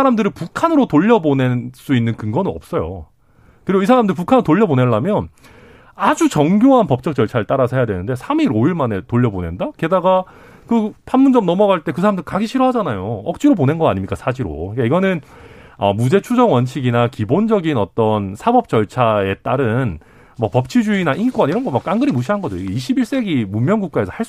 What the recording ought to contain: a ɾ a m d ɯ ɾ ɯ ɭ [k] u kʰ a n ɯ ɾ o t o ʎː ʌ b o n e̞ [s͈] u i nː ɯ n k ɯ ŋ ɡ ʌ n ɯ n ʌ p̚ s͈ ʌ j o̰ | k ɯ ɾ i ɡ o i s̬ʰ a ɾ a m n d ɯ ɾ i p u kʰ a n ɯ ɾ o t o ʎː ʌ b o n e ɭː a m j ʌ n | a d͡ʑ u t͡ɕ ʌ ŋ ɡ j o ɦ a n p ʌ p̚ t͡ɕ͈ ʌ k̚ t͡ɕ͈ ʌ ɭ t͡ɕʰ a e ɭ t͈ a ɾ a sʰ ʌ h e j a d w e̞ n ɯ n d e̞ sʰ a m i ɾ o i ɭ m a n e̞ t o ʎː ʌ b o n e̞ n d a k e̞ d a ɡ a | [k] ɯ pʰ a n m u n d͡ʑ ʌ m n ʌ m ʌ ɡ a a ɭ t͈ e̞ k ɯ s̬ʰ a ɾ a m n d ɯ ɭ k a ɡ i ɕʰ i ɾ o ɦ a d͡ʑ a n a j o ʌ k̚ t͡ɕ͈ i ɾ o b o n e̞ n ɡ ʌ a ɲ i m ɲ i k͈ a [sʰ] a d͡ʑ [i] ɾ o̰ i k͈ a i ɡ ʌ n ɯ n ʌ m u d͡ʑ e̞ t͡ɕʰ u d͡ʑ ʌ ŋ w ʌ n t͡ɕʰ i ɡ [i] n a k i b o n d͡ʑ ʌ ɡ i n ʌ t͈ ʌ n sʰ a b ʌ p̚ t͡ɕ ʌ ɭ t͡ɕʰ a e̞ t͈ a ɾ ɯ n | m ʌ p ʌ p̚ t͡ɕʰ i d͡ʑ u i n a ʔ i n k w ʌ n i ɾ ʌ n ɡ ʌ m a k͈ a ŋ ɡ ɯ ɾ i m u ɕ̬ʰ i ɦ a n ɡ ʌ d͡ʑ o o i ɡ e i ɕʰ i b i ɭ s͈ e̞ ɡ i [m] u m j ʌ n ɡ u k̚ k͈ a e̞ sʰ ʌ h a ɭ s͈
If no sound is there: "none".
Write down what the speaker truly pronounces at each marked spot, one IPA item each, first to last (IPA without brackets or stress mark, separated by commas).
p, s͈, k, sʰ, i, i, m